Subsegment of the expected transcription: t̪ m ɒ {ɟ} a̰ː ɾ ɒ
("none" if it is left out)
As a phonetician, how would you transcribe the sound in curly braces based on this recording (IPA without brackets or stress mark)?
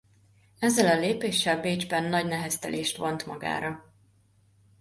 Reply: ɡ